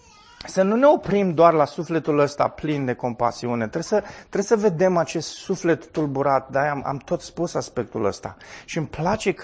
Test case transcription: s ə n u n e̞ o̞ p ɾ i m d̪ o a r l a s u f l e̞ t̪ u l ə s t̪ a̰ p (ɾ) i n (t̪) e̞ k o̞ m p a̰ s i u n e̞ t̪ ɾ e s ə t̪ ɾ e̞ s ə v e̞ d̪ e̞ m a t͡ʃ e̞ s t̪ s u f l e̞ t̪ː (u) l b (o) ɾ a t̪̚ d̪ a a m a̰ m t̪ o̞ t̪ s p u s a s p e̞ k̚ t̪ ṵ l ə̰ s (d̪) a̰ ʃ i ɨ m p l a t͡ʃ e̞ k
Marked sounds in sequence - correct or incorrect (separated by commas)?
incorrect, incorrect, correct, incorrect, incorrect